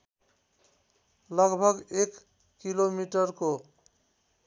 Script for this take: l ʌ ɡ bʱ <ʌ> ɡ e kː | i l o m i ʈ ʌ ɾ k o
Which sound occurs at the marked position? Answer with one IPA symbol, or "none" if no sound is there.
ʌ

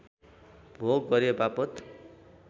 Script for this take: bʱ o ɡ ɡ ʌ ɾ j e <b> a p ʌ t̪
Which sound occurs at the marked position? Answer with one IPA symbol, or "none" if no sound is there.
b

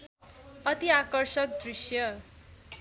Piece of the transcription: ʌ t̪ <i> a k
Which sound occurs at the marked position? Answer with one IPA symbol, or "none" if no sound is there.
i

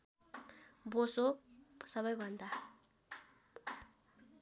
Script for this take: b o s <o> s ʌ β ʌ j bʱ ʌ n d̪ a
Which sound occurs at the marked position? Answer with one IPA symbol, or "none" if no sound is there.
o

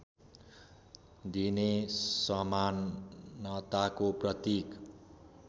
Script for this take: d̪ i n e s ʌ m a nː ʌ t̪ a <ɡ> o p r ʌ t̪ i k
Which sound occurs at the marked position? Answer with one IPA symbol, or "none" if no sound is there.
k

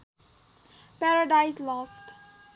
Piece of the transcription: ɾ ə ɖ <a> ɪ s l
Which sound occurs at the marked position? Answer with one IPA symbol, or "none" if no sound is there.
a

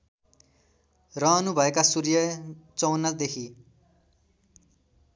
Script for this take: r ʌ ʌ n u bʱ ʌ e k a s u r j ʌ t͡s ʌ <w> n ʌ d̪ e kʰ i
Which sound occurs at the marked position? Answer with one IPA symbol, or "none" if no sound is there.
w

